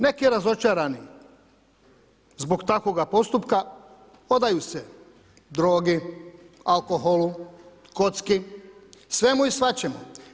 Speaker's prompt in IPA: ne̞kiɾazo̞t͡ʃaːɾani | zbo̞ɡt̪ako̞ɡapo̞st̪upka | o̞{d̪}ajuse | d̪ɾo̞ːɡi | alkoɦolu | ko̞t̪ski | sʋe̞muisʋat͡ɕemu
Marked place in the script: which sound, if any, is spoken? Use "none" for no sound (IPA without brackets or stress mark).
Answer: d̪